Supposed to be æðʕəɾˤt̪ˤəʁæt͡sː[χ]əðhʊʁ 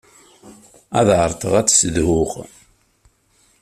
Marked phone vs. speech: incorrect: s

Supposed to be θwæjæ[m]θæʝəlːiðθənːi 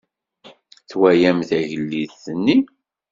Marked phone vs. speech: correct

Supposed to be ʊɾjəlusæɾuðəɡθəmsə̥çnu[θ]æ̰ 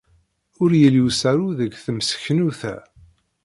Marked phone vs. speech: correct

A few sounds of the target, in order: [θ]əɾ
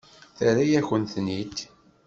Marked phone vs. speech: correct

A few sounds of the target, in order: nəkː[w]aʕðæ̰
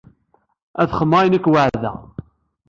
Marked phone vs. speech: correct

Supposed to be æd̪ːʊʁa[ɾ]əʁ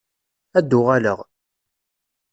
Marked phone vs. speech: incorrect: l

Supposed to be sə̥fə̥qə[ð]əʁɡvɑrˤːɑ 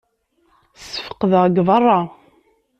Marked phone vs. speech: correct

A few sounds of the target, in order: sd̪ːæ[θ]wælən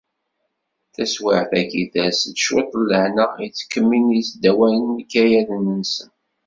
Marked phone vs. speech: incorrect: none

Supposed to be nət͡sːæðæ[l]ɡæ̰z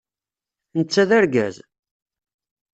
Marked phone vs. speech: incorrect: ɾ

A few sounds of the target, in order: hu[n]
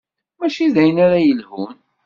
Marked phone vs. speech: correct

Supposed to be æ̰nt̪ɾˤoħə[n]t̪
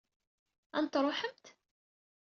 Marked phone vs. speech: incorrect: m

